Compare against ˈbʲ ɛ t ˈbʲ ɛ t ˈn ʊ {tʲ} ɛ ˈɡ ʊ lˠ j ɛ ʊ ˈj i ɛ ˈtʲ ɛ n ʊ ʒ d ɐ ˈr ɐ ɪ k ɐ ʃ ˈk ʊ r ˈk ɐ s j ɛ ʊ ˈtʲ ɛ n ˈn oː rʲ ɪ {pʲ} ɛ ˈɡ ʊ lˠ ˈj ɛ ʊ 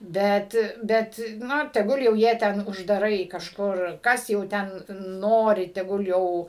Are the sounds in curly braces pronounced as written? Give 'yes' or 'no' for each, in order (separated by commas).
yes, no